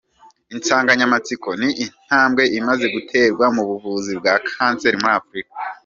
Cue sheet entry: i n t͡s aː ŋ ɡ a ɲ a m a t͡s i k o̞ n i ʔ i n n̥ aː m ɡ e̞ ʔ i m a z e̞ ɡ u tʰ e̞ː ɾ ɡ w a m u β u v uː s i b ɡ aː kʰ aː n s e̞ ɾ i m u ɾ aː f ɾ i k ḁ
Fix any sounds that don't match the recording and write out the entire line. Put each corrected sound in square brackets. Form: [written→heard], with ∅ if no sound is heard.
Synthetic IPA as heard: i n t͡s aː ŋ ɡ a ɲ a m a t͡s i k o̞ n i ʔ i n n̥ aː m ɡ e̞ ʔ i m a z e̞ ɡ u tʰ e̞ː ɾ ɡ w a m u β u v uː [s→z] i b ɡ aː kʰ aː n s e̞ ɾ i m u ɾ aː f ɾ i k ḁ